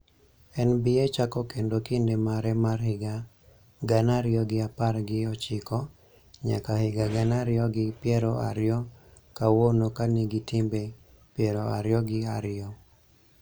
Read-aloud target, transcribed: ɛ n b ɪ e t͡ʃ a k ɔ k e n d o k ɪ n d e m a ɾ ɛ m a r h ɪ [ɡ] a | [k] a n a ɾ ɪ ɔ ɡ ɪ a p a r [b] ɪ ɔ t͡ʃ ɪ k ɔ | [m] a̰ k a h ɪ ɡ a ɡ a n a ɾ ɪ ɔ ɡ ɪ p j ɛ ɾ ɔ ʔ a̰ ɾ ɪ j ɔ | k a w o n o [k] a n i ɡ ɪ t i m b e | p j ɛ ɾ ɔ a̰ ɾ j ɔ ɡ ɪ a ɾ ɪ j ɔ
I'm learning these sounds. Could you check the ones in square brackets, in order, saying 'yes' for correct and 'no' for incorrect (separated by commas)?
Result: yes, no, no, no, yes